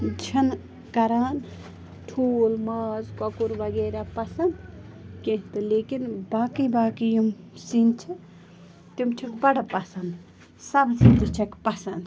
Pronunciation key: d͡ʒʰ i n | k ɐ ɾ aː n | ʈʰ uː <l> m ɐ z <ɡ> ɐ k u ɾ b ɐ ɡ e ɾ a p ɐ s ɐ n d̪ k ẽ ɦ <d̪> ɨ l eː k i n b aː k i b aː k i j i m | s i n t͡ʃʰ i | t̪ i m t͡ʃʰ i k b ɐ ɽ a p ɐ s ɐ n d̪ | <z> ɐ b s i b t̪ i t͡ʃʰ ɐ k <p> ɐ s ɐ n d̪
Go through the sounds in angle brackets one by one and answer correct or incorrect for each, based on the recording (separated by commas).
correct, incorrect, incorrect, incorrect, correct